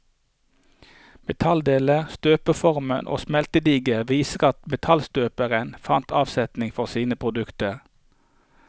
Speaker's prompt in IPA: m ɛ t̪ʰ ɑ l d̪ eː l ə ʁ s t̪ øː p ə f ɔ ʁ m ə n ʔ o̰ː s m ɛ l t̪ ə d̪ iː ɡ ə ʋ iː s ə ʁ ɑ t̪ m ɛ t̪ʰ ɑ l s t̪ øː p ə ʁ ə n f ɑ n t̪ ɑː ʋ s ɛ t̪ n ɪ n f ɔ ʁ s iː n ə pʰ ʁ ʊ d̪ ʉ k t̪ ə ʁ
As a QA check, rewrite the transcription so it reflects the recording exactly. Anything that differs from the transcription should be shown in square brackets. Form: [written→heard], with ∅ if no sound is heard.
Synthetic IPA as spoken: m ɛ t̪ʰ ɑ l d̪ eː l ə ʁ s t̪ øː p ə f ɔ ʁ m ə n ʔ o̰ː s m ɛ l t̪ ə d̪ iː ɡ ə ʋ iː s ə ʁ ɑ t̪ m ɛ t̪ʰ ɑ l s t̪ øː p ə ʁ ə n f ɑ n t̪ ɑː ʋ s ɛ t̪ n ɪ [n→ŋ] f ɔ ʁ s iː n ə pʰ ʁ ʊ d̪ ʉ k t̪ ə ʁ